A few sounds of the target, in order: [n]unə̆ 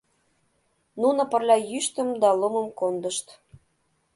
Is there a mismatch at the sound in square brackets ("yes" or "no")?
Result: no